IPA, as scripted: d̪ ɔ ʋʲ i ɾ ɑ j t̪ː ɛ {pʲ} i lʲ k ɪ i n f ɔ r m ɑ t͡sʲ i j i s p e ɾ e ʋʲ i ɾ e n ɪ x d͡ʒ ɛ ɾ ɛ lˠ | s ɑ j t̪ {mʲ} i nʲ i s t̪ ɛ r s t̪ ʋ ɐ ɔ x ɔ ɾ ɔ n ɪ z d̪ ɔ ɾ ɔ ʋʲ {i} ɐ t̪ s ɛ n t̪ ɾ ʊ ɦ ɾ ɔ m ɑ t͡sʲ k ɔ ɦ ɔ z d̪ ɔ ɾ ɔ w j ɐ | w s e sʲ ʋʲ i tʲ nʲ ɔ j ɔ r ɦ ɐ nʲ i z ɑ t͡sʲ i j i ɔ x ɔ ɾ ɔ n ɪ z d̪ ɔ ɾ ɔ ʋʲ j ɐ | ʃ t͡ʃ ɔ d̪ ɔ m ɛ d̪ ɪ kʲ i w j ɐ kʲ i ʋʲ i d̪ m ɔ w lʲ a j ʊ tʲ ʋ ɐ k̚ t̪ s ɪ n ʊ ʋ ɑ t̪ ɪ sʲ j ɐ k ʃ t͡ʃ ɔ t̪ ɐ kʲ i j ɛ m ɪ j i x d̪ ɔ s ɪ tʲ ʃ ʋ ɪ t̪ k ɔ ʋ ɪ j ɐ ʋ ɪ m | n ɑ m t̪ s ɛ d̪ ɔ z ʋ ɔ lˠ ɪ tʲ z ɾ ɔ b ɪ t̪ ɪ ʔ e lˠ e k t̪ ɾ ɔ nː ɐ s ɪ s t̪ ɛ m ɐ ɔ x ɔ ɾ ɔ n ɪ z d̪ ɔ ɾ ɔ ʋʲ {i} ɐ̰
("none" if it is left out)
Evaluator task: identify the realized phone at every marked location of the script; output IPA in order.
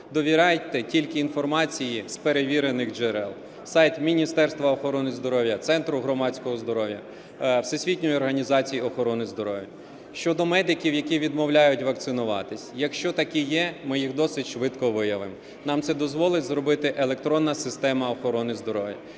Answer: tʲ, mʲ, j, j

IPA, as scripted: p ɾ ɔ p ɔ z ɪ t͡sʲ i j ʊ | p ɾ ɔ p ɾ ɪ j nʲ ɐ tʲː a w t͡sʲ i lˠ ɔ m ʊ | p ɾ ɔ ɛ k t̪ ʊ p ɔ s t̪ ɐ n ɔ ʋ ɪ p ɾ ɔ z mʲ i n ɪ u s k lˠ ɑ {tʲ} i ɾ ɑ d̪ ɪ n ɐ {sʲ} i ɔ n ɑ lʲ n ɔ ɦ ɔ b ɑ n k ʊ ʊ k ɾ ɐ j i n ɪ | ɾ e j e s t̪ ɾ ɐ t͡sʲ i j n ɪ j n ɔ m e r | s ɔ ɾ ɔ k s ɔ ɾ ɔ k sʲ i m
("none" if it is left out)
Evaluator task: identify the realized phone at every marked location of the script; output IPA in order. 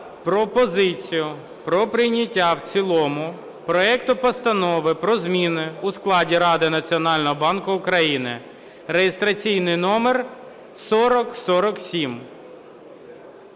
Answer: dʲ, t͡sʲ

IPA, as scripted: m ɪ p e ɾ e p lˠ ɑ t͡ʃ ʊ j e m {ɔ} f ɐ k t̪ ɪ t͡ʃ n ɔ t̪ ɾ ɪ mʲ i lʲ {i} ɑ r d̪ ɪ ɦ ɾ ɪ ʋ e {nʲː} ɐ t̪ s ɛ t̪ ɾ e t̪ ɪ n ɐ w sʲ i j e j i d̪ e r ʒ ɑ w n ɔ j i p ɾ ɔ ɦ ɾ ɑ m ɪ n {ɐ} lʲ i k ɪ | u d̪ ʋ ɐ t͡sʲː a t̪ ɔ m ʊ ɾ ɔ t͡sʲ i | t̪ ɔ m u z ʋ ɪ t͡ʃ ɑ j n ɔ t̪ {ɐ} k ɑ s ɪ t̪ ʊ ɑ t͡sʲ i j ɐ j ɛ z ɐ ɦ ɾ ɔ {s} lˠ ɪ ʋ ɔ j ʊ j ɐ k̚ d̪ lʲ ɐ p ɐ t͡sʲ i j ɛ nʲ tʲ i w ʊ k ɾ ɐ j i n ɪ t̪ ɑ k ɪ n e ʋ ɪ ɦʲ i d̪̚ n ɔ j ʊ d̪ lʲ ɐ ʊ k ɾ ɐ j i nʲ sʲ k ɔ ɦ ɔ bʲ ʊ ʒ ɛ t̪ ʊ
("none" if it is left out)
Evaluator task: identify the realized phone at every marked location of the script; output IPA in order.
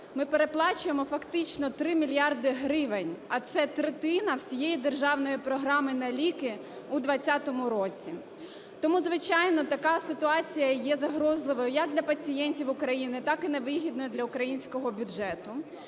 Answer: ɔ, j, nʲ, ɐ, ɐ, z

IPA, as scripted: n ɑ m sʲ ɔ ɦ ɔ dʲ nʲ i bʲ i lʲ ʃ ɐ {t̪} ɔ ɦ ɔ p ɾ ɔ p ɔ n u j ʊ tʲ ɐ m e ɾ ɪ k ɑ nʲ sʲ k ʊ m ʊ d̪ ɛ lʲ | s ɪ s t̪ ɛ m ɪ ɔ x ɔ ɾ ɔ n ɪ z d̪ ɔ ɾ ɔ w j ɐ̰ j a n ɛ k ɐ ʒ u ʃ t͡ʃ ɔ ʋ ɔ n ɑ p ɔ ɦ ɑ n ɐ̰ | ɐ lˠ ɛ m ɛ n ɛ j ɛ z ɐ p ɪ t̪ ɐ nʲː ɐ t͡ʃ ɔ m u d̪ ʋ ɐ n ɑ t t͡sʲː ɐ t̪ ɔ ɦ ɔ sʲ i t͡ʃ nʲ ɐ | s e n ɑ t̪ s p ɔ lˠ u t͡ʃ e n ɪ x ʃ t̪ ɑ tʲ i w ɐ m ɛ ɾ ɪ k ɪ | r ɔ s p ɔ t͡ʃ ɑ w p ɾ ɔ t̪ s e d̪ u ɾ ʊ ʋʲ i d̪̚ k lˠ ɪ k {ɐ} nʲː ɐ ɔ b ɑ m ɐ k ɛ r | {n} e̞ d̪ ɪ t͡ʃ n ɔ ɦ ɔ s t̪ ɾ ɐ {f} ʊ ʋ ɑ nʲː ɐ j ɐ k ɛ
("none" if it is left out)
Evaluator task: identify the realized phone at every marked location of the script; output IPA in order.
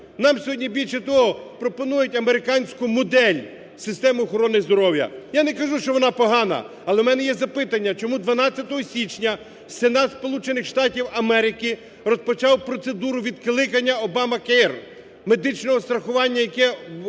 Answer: t̪, ɐ, m, x

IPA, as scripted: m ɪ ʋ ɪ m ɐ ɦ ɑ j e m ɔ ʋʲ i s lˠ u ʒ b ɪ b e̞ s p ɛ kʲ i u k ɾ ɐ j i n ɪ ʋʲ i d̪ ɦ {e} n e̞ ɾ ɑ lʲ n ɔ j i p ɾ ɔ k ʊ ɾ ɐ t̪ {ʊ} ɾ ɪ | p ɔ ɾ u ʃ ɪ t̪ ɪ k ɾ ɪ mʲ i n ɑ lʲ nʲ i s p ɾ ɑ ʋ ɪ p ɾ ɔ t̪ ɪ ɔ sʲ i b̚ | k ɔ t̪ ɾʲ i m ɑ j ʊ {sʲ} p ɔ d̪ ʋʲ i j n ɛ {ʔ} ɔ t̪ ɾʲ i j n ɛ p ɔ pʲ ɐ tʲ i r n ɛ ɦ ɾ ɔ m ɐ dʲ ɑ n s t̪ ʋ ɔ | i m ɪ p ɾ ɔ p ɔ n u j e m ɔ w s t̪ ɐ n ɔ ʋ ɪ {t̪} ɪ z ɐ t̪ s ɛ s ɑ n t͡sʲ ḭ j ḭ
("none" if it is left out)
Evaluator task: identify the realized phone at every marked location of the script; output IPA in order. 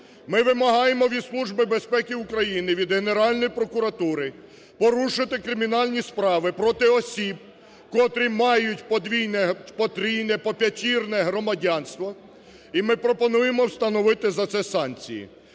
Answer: e, u, tʲ, p, t̪

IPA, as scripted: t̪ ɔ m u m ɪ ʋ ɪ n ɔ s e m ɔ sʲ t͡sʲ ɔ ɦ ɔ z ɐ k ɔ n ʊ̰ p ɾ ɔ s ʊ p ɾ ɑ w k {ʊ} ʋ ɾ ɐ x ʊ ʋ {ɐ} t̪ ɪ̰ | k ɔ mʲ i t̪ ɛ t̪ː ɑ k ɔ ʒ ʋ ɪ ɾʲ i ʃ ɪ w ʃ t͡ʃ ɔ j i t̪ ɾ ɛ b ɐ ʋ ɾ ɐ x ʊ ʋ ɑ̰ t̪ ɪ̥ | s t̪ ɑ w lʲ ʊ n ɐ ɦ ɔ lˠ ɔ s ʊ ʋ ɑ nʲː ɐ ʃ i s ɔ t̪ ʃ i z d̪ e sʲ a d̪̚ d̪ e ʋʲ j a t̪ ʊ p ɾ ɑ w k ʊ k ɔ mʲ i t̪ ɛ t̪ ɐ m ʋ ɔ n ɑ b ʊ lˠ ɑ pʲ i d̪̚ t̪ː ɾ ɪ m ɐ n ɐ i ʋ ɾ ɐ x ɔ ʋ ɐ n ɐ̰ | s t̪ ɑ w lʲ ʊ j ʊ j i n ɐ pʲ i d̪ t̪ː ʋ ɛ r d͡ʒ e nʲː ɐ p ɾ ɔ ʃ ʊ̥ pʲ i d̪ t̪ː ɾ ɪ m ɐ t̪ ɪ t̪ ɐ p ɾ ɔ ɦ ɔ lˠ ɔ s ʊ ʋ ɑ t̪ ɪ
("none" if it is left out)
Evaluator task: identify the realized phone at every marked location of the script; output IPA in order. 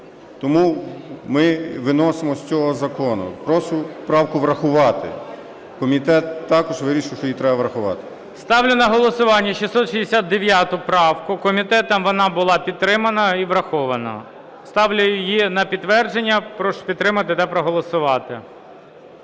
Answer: ʊ, ɑ

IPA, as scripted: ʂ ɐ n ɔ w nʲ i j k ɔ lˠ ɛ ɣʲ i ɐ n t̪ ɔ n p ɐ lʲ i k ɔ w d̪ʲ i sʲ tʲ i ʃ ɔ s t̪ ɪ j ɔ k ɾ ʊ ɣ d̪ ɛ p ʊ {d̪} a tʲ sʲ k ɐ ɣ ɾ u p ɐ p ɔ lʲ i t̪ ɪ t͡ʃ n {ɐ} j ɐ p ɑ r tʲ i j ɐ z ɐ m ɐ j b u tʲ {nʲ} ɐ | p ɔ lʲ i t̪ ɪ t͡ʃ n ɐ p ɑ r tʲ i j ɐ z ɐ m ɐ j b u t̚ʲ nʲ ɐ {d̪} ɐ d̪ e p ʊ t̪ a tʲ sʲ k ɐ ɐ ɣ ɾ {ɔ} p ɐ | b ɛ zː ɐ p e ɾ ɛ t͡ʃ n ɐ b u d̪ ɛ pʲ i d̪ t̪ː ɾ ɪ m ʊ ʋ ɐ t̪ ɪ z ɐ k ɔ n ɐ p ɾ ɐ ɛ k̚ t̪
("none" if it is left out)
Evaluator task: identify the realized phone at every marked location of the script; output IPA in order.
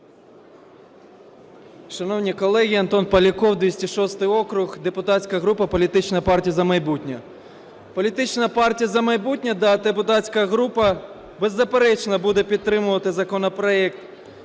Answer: t̪, ɐ, nʲ, d̪, u

